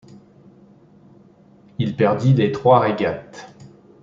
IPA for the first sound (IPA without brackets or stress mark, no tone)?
i